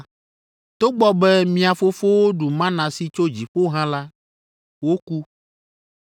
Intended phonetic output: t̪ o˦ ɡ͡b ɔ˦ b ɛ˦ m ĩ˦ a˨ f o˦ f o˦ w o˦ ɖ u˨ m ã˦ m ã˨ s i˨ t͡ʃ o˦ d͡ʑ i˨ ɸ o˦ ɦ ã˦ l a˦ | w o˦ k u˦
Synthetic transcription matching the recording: t̪ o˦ ɡ͡b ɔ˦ b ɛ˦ m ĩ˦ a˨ f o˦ f o˦ w o˦ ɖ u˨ m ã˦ n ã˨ s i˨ t͡ʃ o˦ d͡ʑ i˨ ɸ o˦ ɦ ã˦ l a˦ | w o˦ k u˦